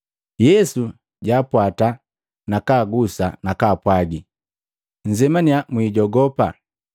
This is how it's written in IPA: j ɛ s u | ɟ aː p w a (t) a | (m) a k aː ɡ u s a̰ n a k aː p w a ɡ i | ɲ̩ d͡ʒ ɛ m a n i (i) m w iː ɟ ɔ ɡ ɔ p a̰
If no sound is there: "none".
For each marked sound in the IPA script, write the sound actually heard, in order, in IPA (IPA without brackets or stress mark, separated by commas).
t, n, a